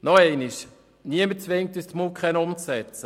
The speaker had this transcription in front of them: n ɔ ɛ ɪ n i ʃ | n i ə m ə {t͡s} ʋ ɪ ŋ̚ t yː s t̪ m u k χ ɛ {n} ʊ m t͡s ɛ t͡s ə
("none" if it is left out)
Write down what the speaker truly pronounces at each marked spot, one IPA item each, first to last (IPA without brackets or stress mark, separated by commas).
t͡s, n